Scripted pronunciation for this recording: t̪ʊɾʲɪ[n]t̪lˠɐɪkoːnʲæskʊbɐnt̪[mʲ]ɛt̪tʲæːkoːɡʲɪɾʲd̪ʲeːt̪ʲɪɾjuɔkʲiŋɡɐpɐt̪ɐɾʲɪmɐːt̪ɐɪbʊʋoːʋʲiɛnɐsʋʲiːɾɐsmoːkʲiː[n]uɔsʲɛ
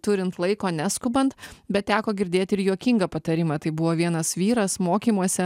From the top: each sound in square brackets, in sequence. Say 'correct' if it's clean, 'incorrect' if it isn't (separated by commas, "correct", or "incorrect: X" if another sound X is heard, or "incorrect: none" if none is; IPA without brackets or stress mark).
correct, incorrect: bʲ, incorrect: m